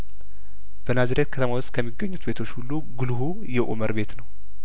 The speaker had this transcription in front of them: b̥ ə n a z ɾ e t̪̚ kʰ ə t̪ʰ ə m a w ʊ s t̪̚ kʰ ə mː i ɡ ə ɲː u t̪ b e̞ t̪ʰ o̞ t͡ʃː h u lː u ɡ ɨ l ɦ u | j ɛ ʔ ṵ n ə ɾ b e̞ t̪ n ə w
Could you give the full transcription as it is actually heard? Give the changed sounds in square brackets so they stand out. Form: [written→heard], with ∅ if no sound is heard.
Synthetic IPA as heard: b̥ ə n a z ɾ e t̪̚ kʰ ə t̪ʰ ə m a w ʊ s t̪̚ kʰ ə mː i ɡ ə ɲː u t̪ b e̞ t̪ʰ o̞ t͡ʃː h u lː u ɡ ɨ l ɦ u | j ɛ ʔ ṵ [n→m] ə ɾ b e̞ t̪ n ə w